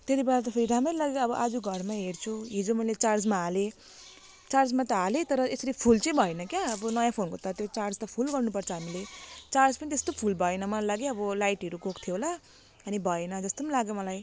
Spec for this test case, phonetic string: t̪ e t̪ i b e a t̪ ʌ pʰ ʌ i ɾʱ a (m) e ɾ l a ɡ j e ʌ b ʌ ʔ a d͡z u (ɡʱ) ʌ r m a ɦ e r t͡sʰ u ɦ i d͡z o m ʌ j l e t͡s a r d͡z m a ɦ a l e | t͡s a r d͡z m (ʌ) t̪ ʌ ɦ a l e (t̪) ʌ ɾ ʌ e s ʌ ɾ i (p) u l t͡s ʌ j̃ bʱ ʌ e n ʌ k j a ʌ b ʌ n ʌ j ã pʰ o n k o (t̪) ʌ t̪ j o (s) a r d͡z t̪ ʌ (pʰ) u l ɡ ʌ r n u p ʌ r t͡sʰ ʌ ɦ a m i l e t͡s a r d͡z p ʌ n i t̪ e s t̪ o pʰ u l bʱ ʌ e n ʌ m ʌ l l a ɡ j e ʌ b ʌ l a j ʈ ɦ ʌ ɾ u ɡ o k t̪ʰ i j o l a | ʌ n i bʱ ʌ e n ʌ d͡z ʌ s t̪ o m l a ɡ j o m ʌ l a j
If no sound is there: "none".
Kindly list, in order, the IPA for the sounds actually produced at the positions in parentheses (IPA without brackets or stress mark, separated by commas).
m, ɡʱ, a, t̪, pʰ, t̪, t͡s, pʰ